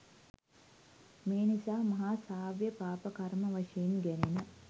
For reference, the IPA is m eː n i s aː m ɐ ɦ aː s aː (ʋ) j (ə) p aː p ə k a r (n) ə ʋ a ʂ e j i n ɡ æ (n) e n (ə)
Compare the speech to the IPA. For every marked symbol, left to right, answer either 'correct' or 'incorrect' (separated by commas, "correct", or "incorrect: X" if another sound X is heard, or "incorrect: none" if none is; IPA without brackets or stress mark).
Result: correct, correct, incorrect: m, correct, correct